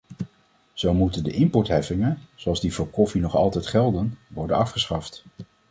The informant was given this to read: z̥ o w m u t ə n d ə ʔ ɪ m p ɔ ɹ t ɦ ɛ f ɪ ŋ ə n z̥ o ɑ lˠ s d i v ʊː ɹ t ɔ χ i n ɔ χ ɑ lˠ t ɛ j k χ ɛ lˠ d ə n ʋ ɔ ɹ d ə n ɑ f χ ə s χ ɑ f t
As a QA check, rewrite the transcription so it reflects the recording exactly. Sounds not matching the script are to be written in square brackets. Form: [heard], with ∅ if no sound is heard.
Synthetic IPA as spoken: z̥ o w m u t ə n d ə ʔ ɪ m p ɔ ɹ t ɦ ɛ f ɪ ŋ ə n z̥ o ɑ lˠ [z] d i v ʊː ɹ [k] ɔ [f] i n ɔ χ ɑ lˠ t ɛ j [t] χ ɛ lˠ d ə n ʋ ɔ ɹ d ə n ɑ f χ ə s χ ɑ f t